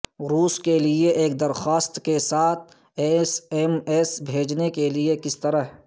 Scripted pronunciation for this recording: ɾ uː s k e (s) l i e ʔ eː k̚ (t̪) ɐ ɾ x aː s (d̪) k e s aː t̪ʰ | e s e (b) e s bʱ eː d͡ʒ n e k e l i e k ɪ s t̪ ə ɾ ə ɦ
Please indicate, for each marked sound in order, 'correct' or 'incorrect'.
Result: incorrect: none, incorrect: d̪, incorrect: t̪, incorrect: m

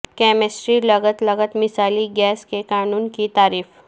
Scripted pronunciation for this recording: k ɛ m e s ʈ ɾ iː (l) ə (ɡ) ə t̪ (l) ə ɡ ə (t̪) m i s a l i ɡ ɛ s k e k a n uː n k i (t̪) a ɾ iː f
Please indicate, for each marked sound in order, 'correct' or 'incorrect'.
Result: correct, correct, correct, correct, correct

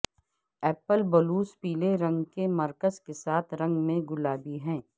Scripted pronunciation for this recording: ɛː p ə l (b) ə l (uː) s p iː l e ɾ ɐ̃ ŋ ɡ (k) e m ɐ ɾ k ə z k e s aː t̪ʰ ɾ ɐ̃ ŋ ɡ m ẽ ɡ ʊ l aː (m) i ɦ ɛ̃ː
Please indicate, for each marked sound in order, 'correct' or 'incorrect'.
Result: correct, correct, correct, incorrect: b

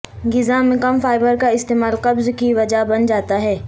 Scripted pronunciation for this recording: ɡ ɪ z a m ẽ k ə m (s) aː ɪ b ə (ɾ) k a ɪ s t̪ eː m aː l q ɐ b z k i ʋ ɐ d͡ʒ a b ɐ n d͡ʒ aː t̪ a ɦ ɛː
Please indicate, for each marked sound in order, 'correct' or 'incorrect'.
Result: incorrect: f, correct

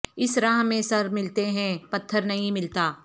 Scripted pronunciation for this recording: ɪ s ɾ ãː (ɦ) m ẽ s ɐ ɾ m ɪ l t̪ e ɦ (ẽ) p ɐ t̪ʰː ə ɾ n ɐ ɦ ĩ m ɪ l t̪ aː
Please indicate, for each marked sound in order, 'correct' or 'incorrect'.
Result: correct, incorrect: ɛ̃

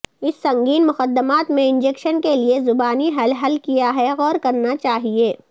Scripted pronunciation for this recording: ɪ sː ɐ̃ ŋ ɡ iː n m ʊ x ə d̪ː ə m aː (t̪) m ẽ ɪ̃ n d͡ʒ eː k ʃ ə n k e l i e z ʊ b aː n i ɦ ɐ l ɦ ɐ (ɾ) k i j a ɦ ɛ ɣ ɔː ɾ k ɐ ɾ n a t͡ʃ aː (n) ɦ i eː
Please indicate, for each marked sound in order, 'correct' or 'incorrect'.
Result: correct, incorrect: l, incorrect: none

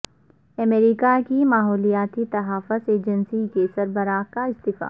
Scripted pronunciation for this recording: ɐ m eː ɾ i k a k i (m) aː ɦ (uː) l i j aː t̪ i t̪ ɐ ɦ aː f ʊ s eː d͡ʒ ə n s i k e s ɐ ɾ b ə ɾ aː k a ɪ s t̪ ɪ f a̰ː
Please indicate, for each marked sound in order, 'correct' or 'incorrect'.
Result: correct, incorrect: ɔː

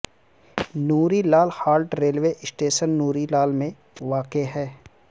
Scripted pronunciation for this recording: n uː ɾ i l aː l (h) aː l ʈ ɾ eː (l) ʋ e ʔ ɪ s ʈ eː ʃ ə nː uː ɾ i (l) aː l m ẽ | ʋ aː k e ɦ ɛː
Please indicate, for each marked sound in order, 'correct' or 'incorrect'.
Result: correct, correct, correct

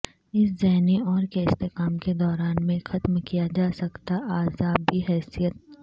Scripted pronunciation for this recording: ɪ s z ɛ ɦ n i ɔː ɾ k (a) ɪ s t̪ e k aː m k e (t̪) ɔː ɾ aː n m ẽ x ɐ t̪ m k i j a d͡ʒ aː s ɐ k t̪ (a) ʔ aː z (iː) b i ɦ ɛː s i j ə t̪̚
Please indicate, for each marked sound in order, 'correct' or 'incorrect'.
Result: incorrect: e, incorrect: d̪, correct, incorrect: aː

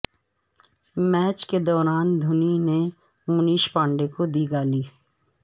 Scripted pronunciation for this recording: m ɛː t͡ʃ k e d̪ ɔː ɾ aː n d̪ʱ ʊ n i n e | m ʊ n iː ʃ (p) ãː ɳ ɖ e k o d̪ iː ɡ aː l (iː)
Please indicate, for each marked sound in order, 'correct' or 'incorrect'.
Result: correct, correct

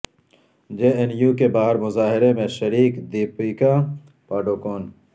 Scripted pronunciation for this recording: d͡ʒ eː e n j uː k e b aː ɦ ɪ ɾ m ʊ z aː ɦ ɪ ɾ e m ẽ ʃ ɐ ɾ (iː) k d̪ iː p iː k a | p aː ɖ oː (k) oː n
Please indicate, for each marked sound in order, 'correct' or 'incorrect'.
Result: correct, correct

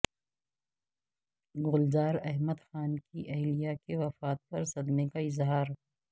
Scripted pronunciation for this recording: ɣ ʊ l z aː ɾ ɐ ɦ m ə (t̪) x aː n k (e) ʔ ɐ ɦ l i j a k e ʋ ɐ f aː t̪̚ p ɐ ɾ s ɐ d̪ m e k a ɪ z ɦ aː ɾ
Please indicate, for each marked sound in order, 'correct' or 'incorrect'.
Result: incorrect: d̪, incorrect: i

